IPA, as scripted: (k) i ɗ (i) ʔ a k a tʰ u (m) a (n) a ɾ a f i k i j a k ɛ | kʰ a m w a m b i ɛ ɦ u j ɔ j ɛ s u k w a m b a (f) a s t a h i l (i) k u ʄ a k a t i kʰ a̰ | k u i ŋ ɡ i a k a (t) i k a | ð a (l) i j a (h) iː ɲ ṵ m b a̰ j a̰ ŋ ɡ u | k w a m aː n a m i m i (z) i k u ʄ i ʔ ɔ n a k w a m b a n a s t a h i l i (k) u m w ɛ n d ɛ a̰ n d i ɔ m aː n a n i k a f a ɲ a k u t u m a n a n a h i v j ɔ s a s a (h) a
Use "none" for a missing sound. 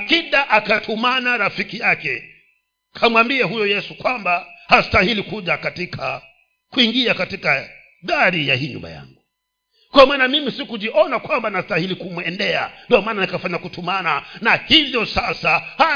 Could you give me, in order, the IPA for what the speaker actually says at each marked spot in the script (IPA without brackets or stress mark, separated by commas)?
k, a, m, n, h, i, t, ɾ, h, s, k, h